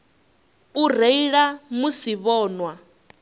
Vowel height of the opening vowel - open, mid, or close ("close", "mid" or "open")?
close